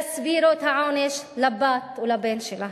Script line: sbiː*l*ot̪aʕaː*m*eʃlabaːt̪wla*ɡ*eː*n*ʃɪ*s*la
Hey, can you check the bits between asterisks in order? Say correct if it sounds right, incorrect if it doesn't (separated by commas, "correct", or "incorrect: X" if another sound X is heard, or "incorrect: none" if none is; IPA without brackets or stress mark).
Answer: incorrect: ɾ, incorrect: n, incorrect: b, correct, incorrect: none